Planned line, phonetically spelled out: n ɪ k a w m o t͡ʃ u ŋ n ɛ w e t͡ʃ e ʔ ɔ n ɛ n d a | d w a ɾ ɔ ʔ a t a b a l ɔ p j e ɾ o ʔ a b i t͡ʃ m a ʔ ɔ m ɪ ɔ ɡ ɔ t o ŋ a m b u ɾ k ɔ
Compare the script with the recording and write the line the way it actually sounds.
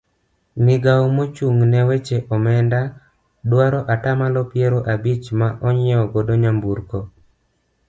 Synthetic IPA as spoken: n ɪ ɡ a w m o t͡ʃ u ŋ n ɛ w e t͡ʃ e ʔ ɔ m ɛ n d a | d w a ɾ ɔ ʔ a t a m a l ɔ p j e ɾ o ʔ a b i t͡ʃ m a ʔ ɔ ɲ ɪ ɔ ɡ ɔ d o ɲ a m b u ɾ k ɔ